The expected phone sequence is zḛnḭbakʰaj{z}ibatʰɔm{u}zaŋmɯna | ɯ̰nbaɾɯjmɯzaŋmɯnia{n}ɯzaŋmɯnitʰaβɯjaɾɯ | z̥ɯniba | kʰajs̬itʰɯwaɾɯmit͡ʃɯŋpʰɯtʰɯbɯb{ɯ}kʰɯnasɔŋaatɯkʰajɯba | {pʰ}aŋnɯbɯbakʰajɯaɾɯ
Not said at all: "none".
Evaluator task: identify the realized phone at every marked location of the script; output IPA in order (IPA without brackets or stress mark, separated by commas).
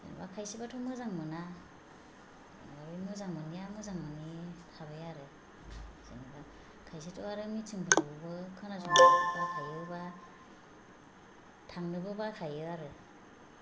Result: s, ɯ, m, ɯ, tʰ